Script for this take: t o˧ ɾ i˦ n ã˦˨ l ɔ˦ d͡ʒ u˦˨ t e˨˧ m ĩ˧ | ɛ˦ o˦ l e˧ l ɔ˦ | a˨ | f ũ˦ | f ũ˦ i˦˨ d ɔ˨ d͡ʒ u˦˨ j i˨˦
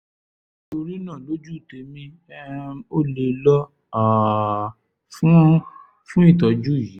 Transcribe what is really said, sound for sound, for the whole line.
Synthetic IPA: t o˧ ɾ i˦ n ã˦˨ l o˦ d͡ʒ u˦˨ t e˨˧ m ĩ˧ | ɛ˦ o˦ l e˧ l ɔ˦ | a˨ | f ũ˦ | f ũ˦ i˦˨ t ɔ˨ d͡ʒ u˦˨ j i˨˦